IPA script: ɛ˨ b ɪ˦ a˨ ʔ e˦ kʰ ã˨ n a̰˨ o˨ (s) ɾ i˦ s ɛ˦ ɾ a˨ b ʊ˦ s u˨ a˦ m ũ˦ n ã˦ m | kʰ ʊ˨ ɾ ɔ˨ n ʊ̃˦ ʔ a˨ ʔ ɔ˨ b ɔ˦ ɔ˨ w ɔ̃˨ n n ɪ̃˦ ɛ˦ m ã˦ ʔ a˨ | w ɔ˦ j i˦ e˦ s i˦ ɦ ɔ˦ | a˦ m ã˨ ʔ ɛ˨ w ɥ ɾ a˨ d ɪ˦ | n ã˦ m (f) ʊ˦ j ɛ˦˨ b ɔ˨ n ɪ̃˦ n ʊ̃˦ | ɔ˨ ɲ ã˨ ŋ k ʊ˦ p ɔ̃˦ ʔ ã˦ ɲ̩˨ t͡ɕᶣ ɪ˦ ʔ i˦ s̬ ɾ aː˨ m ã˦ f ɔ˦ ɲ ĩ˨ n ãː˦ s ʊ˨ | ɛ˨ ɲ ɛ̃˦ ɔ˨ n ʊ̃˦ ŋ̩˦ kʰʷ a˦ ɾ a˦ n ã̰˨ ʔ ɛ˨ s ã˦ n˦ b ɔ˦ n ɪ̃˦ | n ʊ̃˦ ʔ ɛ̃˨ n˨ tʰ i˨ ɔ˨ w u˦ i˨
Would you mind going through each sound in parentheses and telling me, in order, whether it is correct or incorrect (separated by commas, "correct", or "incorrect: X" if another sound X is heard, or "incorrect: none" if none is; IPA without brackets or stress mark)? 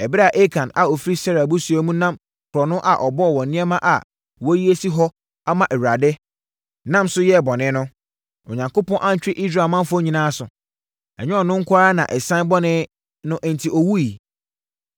incorrect: f, incorrect: s